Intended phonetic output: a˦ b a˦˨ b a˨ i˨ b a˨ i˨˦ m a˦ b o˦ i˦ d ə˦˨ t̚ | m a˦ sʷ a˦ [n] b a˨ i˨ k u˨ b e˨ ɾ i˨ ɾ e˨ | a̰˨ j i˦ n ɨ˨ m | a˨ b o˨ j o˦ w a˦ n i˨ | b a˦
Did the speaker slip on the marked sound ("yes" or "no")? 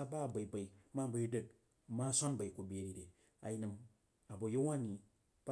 no